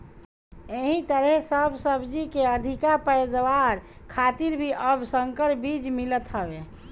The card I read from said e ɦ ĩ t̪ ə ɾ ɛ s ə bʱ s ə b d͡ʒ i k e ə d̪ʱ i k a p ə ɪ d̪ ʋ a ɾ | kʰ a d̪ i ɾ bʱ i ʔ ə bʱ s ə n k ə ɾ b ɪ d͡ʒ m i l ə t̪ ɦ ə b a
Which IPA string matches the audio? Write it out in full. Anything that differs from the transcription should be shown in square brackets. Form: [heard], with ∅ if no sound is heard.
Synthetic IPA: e ɦ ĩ t̪ ə ɾ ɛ s ə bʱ s ə b d͡ʒ i k e ə d̪ʱ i k a p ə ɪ d̪ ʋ a ɾ | kʰ a [t̪] i ɾ bʱ i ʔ ə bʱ s ə [ŋ] k ə ɾ b [i] d͡ʒ m i l ə t̪ ɦ ə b [e]